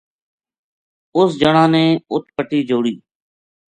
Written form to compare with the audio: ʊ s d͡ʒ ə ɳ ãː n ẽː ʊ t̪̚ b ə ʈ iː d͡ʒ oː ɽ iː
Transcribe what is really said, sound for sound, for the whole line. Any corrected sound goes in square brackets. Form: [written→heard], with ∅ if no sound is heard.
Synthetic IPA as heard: ʊ s d͡ʒ ə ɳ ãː n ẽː ʊ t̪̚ [b→p] ə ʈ iː d͡ʒ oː ɽ iː